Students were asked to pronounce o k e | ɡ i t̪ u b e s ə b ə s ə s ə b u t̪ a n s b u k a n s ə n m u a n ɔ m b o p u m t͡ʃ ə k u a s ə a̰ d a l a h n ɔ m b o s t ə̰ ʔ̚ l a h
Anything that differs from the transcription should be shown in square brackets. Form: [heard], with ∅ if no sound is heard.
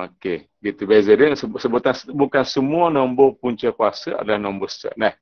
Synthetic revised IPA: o k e | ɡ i t̪ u b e [z] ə [d] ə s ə s ə b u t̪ a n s b u k a n s ə [∅] m u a n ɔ m b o p u [ɲ] t͡ʃ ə k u a s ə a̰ d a l a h n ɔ m b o s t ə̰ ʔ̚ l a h